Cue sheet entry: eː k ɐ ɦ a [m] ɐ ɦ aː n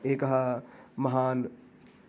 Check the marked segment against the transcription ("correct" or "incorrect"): correct